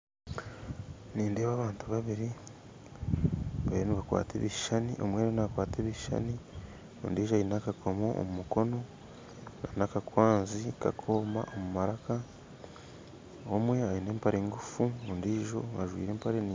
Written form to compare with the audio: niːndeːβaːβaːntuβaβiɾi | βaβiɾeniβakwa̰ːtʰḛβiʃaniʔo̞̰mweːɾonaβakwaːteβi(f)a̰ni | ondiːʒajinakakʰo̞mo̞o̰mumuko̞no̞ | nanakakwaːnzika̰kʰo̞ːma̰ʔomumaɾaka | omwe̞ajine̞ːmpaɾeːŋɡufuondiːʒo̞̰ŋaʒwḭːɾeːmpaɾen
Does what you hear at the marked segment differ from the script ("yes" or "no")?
yes